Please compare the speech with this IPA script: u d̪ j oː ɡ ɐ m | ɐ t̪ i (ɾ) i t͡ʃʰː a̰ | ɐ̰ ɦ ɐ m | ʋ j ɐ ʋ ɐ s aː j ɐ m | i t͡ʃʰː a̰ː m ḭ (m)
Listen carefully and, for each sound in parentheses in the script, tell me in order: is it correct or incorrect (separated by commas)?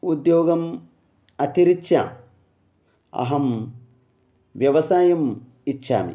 correct, incorrect